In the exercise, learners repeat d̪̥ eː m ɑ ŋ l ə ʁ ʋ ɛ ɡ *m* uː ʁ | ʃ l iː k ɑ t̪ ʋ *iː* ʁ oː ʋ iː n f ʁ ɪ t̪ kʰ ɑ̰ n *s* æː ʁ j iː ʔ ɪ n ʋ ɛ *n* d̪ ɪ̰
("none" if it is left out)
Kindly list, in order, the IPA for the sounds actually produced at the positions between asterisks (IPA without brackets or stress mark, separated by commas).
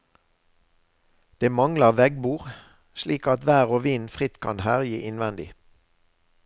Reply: b, æː, h, n